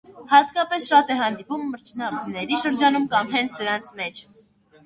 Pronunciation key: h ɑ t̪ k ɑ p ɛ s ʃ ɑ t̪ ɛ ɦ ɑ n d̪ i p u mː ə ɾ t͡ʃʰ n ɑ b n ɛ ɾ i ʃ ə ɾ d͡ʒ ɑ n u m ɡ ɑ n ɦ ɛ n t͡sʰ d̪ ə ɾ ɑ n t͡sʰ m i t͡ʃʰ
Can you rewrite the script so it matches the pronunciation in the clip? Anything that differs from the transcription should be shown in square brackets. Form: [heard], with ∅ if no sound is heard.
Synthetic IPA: h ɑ t̪ k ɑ p ɛ s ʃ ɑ t̪ ɛ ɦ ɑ n d̪ i p u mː ə ɾ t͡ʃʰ n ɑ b n ɛ ɾ i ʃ ə ɾ d͡ʒ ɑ n u m [k] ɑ [m] ɦ ɛ n t͡sʰ d̪ ə ɾ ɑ n t͡sʰ m [ɛ] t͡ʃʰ